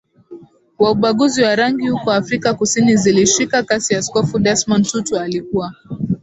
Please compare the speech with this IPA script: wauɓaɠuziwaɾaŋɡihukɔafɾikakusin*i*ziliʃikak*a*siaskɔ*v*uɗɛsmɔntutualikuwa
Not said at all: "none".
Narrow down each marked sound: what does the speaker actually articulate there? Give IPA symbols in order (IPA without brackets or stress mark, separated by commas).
i, a, f